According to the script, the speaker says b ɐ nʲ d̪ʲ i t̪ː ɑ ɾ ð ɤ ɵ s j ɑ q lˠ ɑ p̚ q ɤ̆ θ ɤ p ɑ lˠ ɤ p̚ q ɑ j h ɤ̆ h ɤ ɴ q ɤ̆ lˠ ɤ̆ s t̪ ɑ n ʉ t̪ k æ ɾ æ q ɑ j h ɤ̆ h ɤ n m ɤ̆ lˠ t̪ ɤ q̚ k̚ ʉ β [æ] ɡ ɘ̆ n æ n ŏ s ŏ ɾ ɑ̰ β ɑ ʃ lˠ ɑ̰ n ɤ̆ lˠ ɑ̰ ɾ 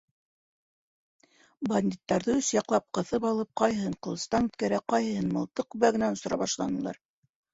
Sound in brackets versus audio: correct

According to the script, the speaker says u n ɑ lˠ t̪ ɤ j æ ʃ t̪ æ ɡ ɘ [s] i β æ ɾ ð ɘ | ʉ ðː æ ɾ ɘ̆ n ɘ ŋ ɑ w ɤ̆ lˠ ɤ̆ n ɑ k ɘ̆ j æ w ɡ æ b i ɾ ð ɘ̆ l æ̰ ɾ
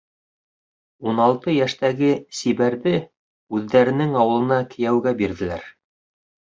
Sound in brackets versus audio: correct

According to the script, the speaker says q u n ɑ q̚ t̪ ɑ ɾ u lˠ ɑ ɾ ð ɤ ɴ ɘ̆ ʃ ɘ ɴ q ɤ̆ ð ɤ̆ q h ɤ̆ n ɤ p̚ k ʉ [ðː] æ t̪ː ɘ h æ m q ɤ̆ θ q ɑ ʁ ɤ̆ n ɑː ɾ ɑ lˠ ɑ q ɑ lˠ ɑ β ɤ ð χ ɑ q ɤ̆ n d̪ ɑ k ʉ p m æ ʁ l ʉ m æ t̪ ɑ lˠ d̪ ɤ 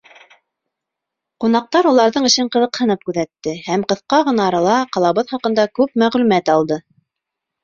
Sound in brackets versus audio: incorrect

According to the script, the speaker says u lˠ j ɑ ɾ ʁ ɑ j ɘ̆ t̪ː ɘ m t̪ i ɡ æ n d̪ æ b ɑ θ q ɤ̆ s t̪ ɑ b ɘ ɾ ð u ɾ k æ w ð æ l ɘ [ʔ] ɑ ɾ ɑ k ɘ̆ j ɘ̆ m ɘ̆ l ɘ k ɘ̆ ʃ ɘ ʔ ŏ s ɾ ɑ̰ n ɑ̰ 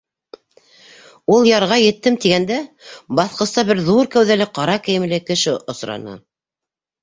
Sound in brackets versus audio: incorrect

